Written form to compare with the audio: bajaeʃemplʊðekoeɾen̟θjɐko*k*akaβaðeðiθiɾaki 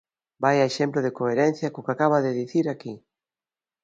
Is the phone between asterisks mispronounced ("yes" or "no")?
no